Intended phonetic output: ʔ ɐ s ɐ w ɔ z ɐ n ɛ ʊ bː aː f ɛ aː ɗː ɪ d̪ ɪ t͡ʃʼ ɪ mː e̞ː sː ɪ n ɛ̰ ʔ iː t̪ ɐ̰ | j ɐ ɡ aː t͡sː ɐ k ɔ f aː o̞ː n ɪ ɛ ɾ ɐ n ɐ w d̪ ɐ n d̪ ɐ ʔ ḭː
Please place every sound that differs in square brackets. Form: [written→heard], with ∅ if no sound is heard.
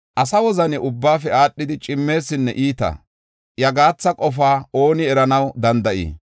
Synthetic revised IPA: ʔ ɐ s ɐ w ɔ z ɐ n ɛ ʊ bː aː f ɛ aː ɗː ɪ d̪ ɪ t͡ʃʼ ɪ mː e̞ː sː ɪ [n→nː] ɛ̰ ʔ iː t̪ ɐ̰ | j ɐ ɡ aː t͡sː ɐ [k→kʼ] ɔ f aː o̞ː n ɪ ɛ ɾ ɐ n ɐ w d̪ ɐ n d̪ ɐ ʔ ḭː